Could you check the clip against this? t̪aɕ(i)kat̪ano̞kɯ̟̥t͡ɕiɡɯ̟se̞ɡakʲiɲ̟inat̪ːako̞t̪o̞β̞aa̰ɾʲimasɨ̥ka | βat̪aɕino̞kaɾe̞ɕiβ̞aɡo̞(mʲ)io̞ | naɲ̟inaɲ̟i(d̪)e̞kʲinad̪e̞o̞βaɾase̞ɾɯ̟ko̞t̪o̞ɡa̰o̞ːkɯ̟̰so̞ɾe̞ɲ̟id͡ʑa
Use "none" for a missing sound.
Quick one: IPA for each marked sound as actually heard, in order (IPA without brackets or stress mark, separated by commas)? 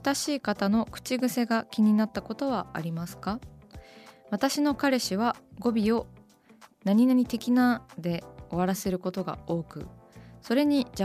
iː, bʲ, t̪